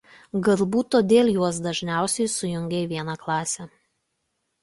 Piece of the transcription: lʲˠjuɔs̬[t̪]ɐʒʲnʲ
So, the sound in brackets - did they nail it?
no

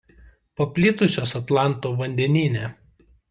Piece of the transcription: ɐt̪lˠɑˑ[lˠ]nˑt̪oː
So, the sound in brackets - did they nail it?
no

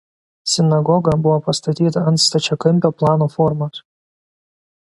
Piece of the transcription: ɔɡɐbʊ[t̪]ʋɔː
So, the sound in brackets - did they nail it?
no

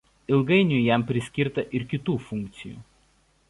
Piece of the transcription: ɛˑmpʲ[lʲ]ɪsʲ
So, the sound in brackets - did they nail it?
no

